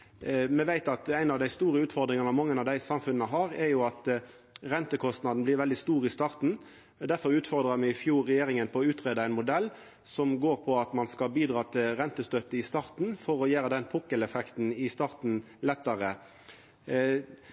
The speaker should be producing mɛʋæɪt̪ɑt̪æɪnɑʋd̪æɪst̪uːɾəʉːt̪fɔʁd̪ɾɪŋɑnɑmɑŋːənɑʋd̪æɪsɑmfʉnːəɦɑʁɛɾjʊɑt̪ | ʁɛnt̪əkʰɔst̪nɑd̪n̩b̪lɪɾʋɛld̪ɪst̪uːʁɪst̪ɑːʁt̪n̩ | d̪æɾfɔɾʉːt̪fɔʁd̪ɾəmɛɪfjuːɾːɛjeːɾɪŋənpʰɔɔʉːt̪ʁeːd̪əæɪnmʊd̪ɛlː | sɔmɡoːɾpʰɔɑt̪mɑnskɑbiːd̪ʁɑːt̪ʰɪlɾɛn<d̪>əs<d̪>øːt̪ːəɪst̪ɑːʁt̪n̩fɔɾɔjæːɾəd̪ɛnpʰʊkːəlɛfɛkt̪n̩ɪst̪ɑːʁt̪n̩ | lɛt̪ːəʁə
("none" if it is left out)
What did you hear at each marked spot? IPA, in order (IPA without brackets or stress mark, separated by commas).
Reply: t̪, t̪